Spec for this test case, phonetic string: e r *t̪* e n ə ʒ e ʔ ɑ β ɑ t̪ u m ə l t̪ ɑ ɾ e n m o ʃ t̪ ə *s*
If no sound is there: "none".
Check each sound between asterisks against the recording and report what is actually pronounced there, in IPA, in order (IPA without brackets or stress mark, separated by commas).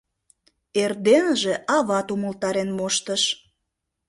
d̪, ʃ